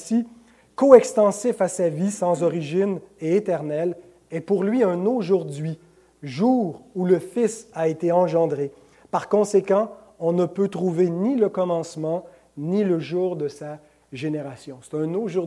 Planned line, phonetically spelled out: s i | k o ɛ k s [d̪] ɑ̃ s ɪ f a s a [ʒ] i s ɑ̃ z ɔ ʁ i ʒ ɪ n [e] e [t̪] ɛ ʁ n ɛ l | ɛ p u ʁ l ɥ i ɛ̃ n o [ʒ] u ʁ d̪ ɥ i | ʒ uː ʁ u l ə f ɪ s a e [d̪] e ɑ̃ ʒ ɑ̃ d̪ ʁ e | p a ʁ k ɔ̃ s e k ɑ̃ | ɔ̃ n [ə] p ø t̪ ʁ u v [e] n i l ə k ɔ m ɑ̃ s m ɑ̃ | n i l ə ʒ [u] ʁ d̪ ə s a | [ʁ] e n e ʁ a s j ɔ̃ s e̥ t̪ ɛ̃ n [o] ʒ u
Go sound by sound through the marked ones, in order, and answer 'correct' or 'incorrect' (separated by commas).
incorrect, incorrect, correct, correct, correct, incorrect, correct, correct, incorrect, incorrect, correct